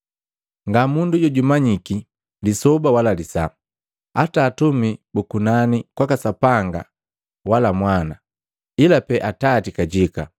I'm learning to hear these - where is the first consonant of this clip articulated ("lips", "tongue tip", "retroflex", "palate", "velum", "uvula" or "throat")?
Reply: velum